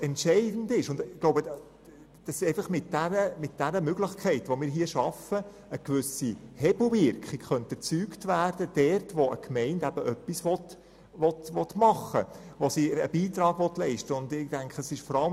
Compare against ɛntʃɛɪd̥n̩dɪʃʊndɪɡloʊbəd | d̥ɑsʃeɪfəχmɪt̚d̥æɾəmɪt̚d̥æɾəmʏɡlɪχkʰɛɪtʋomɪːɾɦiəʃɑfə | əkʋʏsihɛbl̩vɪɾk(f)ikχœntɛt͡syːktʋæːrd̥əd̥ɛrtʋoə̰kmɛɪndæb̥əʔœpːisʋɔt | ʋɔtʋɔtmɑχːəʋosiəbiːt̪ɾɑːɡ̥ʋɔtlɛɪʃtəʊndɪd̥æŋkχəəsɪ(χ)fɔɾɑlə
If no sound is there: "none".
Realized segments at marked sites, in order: χ, ʃ

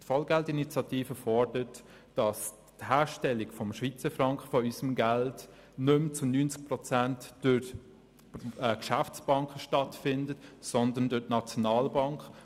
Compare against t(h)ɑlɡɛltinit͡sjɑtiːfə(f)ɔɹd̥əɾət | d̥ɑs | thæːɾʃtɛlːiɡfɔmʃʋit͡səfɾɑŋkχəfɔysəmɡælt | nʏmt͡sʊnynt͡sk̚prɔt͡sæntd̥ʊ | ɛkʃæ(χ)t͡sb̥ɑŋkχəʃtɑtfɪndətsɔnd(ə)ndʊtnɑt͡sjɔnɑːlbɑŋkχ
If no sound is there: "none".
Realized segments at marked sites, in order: f, f, f, ə

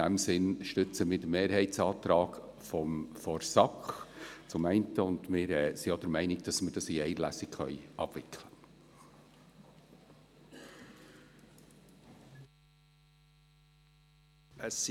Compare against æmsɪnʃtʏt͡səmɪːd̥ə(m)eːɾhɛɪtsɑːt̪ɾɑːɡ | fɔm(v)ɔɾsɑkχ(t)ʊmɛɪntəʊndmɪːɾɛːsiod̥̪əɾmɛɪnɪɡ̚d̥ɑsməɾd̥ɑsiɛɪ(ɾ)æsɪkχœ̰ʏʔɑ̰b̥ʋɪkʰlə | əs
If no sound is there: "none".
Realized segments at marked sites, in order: m, f, t͡s, l

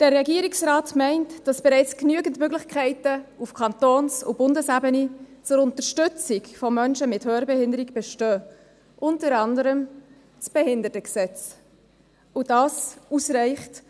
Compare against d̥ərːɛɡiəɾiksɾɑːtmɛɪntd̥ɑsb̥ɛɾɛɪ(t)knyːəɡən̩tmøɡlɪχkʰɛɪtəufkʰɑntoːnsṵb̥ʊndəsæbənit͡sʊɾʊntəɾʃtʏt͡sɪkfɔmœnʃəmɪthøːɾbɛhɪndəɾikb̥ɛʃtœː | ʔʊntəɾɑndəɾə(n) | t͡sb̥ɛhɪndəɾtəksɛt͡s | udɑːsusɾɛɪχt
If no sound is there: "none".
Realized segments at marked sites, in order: t͡s, m

